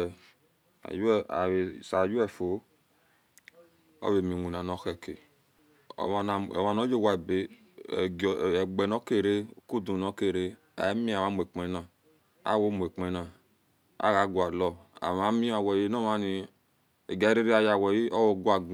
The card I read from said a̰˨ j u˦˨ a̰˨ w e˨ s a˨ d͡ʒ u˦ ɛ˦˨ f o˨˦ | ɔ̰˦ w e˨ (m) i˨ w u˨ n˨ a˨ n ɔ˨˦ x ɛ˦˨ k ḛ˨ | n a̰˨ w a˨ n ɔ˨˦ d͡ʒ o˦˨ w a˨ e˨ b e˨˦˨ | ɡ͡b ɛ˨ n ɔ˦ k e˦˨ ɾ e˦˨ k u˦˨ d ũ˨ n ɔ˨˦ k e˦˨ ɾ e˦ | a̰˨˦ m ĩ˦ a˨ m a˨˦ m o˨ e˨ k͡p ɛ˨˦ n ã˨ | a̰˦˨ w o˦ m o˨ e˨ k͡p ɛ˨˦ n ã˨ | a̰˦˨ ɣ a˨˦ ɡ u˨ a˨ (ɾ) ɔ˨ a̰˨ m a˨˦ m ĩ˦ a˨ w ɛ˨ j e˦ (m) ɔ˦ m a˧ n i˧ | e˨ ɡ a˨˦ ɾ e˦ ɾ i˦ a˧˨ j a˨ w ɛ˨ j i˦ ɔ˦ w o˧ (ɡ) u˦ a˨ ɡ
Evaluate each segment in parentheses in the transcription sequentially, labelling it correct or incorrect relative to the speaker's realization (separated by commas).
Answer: correct, incorrect, incorrect, correct